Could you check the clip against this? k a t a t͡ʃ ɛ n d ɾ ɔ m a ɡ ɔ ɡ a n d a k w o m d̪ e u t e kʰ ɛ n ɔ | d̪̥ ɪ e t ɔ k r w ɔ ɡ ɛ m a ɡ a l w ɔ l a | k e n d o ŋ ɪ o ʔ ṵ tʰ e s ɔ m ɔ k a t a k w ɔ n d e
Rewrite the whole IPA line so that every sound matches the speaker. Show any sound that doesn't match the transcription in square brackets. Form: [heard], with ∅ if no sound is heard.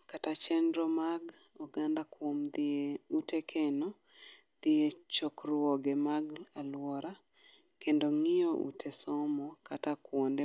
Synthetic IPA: k a t a t͡ʃ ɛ n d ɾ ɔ m a ɡ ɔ ɡ a n d a k w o m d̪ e u t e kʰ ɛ n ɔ | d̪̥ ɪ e [t͡ʃ] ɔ k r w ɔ ɡ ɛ m a ɡ a l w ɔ [ɾ] a | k e n d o ŋ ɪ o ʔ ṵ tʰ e s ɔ m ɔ k a t a k w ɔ n d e